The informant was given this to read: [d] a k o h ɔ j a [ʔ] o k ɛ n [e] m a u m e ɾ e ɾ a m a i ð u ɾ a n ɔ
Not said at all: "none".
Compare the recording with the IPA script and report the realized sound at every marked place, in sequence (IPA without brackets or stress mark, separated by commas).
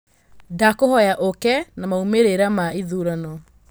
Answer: d, ʔ, a